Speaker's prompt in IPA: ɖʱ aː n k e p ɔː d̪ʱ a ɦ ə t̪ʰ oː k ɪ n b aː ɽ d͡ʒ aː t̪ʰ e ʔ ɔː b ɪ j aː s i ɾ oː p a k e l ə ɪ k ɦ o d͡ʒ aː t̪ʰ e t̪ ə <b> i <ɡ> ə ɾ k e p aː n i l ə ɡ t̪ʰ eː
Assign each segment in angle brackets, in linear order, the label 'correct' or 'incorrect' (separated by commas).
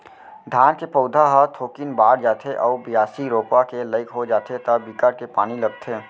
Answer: correct, incorrect